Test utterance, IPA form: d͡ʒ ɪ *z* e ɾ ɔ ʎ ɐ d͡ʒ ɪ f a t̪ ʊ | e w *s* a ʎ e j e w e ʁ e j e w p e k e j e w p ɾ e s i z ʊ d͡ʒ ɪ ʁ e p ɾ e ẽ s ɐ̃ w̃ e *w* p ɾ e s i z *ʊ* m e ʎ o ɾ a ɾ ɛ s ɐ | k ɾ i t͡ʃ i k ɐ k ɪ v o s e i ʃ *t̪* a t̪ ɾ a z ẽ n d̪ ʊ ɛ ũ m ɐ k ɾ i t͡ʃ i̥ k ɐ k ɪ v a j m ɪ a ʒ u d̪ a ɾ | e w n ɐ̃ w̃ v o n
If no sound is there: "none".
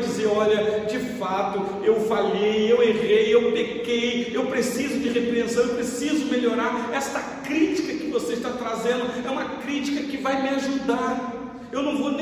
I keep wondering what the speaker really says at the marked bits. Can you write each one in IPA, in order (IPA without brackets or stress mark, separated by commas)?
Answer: z, f, w, ʊ, t̪